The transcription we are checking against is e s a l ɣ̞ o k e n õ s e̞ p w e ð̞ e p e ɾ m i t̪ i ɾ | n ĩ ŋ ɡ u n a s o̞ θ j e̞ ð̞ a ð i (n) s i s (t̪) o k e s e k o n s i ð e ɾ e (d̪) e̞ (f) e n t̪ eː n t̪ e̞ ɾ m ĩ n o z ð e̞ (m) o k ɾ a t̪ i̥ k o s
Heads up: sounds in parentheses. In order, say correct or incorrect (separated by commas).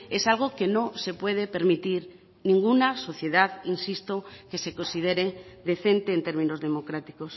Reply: correct, correct, correct, incorrect, correct